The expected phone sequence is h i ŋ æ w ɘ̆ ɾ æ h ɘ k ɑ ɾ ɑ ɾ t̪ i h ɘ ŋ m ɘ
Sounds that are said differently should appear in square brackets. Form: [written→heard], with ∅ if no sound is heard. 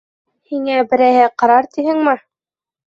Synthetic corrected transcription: h i ŋ æ [w→b] ɘ̆ ɾ æ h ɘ [k→q] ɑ ɾ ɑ ɾ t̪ i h ɘ ŋ m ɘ